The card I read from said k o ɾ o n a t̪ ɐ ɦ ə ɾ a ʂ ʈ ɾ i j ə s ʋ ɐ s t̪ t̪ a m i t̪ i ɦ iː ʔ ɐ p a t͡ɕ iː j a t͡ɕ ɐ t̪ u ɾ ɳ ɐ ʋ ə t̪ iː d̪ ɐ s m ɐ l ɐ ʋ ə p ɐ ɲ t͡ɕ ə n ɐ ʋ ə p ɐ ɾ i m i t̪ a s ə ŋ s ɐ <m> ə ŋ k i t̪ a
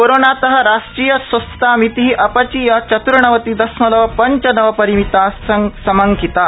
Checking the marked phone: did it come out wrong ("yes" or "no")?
no